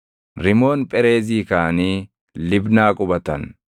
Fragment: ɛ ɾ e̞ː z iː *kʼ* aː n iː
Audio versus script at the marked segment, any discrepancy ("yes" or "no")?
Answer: yes